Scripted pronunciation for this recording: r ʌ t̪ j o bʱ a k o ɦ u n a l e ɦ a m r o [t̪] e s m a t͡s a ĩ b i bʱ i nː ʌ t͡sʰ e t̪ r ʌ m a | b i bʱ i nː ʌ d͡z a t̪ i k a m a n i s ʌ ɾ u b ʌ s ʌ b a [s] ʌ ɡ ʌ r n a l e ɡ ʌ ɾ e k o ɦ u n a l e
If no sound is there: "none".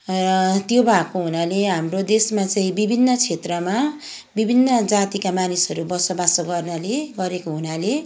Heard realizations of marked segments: d̪, s

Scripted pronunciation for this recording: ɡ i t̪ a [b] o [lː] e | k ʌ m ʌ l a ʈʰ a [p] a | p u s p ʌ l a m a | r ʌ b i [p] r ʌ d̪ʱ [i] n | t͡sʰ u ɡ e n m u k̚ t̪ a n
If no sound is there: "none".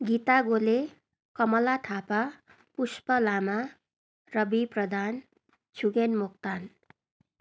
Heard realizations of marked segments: ɡ, l, p, p, a

